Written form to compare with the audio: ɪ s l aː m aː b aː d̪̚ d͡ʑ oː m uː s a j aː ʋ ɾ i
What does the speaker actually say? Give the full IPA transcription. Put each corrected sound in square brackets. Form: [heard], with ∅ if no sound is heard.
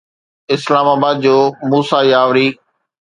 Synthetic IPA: ɪ s l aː m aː b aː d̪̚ d͡ʑ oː m uː s a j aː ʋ ɾ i

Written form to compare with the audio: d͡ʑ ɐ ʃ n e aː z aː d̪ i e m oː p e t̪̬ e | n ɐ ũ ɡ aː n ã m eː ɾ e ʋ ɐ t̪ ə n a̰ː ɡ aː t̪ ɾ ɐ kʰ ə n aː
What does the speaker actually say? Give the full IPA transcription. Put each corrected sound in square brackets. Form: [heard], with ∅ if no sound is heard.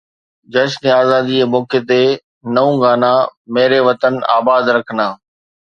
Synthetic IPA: d͡ʑ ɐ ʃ n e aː z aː d̪ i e m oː [k] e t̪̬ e | n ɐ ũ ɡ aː n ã m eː ɾ e ʋ ɐ t̪ ə n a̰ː [b] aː [d̪] ɾ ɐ kʰ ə n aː

